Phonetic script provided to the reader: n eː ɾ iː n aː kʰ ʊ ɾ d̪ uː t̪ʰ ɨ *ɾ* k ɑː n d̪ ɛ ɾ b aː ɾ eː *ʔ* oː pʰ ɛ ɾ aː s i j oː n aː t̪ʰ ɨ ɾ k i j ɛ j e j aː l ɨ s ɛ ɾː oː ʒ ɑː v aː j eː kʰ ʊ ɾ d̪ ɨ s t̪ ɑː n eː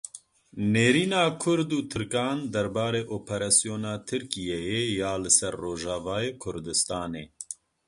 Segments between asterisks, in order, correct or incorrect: correct, correct

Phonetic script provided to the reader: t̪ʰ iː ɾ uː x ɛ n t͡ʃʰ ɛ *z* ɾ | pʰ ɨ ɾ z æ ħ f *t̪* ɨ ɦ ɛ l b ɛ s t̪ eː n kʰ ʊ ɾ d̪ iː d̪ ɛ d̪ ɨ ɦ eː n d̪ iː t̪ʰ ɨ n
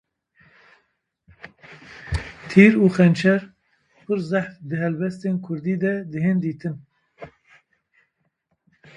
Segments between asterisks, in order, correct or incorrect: incorrect: none, incorrect: d̪

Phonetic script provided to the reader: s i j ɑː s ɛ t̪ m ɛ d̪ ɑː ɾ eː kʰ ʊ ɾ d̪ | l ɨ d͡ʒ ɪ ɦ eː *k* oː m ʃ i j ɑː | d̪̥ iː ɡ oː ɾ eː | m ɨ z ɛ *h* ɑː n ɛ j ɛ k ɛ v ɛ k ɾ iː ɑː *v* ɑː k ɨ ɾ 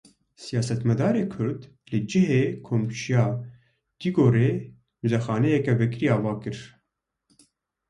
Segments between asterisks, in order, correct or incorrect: incorrect: kʰ, incorrect: x, correct

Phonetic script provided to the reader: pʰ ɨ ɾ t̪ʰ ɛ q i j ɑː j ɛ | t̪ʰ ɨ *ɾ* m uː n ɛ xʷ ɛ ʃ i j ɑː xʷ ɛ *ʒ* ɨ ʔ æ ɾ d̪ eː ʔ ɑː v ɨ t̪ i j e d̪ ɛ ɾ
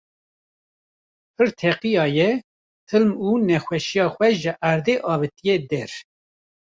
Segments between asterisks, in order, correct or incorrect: incorrect: l, correct

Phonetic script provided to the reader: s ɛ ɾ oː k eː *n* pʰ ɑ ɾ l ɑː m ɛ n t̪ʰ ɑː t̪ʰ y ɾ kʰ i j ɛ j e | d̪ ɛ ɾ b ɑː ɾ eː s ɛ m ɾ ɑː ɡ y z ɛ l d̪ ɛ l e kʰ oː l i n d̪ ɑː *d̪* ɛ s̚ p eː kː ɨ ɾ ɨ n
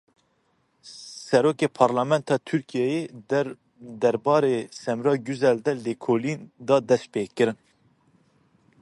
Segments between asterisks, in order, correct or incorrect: incorrect: none, correct

